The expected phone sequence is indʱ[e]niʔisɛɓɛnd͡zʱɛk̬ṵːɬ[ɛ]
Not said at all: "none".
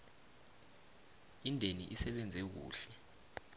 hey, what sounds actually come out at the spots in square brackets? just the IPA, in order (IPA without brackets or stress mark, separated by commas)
e, ɛ